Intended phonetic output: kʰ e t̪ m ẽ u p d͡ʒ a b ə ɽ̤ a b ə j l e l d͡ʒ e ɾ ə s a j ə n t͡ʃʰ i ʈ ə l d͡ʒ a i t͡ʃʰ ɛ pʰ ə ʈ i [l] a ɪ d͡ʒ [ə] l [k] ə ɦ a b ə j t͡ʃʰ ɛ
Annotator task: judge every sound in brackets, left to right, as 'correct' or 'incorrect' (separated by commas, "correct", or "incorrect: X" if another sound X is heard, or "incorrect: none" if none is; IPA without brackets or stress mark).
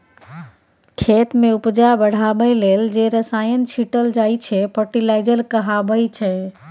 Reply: correct, correct, correct